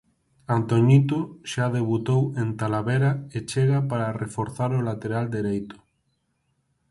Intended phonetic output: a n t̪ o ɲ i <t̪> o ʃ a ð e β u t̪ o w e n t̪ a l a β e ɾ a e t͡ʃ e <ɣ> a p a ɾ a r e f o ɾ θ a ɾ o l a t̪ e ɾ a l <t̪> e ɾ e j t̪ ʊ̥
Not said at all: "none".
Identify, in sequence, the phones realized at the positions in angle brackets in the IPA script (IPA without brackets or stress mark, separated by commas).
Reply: t̪, ɣ, d̪